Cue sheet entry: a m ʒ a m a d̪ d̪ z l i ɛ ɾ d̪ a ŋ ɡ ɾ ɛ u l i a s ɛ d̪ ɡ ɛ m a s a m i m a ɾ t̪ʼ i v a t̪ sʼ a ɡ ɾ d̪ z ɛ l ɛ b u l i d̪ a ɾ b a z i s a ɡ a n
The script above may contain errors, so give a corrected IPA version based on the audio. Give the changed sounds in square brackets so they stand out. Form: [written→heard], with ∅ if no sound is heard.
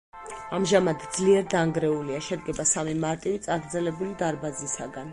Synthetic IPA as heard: a m ʒ a m a d̪ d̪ z l i ɛ ɾ d̪ a ŋ ɡ ɾ ɛ u l i a [s→ʃ] ɛ d̪ ɡ ɛ [m→b] a s a m i m a ɾ t̪ʼ i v [a→i] t̪ sʼ a ɡ ɾ d̪ z ɛ l ɛ b u l i d̪ a ɾ b a z i s a ɡ a n